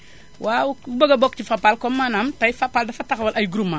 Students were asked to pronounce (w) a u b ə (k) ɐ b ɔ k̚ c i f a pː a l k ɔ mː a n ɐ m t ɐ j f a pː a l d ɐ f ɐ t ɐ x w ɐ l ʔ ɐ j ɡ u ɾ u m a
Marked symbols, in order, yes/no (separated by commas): yes, no